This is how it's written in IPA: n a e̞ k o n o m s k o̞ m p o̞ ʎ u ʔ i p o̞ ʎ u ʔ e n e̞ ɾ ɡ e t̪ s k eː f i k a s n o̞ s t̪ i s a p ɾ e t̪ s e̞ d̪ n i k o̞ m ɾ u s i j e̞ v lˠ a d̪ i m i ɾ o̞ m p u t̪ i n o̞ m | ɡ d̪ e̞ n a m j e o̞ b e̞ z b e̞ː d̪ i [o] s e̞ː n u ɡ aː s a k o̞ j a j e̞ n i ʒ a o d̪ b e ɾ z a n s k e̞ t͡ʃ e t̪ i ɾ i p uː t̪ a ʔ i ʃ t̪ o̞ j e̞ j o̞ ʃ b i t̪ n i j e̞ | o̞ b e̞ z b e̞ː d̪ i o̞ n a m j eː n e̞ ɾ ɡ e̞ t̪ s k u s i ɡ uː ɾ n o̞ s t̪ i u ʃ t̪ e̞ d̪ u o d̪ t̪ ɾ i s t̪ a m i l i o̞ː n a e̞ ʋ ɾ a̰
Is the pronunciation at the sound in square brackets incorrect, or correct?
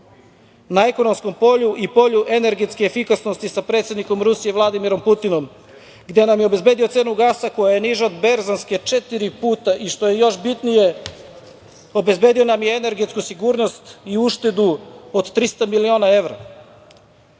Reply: correct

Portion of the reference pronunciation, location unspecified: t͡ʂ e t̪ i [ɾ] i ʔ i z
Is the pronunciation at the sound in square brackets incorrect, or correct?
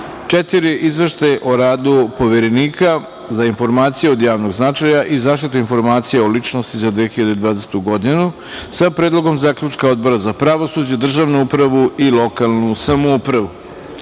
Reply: correct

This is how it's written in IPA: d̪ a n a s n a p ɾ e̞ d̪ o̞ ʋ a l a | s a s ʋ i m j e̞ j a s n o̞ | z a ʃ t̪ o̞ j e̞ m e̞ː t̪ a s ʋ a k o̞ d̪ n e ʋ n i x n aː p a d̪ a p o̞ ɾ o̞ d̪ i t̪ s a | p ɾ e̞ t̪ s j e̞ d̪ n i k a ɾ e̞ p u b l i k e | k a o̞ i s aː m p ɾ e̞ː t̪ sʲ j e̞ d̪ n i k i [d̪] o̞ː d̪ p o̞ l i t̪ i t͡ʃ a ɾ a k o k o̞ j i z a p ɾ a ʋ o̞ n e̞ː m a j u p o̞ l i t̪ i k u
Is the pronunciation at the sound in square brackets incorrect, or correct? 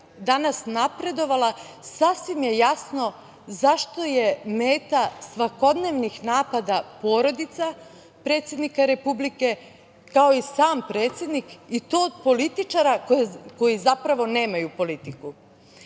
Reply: incorrect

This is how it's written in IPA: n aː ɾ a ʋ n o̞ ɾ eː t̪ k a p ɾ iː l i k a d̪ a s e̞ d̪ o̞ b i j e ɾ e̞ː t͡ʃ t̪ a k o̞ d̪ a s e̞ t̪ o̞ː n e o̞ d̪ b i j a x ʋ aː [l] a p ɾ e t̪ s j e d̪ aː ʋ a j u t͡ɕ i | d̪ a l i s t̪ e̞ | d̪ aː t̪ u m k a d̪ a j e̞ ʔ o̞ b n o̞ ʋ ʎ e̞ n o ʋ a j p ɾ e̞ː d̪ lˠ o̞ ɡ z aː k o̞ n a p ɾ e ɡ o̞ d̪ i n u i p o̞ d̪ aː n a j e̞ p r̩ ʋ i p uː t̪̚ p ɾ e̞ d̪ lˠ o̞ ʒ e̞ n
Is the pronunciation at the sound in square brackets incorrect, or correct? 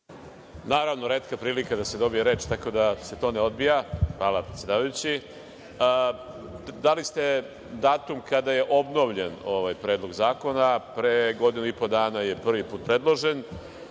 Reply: correct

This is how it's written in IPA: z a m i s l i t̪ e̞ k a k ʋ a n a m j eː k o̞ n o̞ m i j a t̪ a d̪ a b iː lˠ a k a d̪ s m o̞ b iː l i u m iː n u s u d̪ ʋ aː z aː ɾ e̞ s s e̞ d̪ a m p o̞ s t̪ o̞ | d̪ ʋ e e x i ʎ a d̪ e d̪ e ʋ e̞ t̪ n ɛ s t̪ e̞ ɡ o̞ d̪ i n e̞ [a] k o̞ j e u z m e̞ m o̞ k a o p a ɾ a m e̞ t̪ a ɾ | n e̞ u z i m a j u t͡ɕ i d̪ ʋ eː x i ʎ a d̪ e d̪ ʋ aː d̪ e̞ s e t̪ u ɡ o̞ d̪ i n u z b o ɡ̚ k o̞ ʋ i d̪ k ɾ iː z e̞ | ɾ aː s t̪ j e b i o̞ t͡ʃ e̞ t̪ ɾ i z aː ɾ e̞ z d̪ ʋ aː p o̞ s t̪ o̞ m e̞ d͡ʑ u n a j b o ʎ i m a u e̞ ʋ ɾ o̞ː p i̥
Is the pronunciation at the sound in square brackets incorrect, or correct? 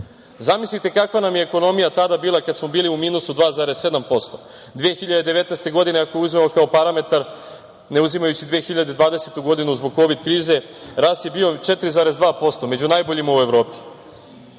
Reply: correct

